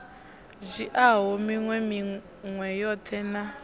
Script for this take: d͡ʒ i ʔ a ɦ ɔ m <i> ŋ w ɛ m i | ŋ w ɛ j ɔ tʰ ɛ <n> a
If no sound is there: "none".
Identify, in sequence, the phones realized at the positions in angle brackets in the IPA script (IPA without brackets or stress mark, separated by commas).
i, n